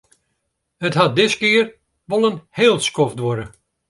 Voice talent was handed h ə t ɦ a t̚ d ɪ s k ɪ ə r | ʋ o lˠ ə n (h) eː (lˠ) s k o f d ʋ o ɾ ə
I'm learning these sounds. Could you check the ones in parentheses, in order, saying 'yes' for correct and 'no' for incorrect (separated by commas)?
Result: yes, yes